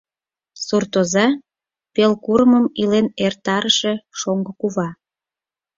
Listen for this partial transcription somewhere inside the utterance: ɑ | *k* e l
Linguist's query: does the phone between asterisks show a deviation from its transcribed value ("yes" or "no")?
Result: yes